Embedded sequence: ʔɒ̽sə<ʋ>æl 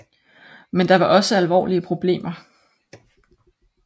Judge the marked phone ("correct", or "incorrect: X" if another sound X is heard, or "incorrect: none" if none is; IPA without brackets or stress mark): incorrect: none